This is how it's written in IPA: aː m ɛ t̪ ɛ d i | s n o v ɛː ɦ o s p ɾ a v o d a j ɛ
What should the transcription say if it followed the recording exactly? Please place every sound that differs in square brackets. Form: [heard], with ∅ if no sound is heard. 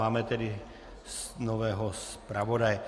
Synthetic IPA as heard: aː m ɛ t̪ ɛ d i | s n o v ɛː ɦ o s p ɾ a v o d a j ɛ